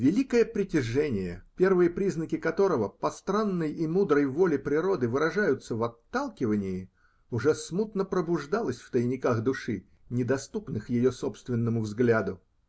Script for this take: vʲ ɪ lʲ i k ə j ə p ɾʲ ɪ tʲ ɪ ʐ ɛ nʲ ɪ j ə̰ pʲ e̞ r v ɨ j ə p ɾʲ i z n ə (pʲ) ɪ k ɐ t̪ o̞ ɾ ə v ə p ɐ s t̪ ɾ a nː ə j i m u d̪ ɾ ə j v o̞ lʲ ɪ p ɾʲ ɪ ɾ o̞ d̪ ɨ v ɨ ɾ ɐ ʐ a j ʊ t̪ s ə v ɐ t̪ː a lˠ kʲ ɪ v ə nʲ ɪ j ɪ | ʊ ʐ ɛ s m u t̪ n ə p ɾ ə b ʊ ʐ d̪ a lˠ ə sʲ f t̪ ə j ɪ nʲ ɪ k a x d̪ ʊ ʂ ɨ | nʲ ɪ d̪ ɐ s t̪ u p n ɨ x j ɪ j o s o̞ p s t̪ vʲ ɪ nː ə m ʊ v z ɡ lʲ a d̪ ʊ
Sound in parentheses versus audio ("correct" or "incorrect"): incorrect